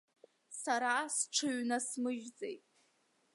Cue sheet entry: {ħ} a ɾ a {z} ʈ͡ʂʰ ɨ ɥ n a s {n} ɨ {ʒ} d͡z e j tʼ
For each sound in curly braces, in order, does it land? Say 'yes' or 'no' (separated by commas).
no, no, no, yes